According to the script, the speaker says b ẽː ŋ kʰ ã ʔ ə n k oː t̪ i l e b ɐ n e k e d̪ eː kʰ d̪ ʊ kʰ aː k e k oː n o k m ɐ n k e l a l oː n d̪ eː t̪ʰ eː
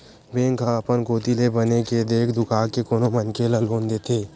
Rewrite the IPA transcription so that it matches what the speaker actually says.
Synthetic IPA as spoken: b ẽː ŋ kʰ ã p ə n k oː t̪ i l e b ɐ n e k e d̪ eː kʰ d̪ ʊ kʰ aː k e k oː n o m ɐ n k e l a l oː n d̪ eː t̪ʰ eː